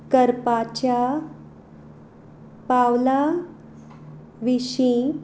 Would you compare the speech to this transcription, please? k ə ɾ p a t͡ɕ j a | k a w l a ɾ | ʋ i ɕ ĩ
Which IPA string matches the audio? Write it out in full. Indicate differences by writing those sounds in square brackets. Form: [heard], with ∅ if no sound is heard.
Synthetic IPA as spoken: k ə ɾ p a t͡ɕ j a | [p] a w l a [∅] | ʋ i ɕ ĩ